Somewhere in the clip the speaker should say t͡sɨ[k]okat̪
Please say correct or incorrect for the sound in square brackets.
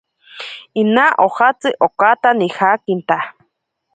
incorrect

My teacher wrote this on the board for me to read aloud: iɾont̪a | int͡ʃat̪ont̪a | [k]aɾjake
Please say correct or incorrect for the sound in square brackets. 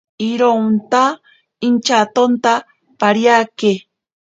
incorrect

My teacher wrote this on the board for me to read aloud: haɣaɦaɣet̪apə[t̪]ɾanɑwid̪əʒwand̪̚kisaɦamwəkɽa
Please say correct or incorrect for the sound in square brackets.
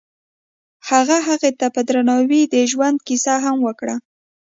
incorrect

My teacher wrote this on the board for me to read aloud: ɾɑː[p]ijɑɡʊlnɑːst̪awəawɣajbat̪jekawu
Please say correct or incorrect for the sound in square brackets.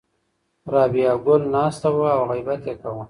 incorrect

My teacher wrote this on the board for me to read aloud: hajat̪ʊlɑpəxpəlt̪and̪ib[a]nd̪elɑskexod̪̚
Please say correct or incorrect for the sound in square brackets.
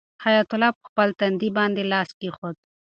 incorrect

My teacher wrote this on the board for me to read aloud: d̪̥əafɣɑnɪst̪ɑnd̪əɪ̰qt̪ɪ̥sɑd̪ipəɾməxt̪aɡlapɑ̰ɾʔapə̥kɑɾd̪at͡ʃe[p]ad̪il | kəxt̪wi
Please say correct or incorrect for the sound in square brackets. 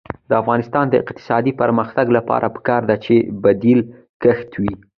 incorrect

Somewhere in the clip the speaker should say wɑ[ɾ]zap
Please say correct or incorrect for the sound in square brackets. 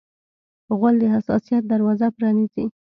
incorrect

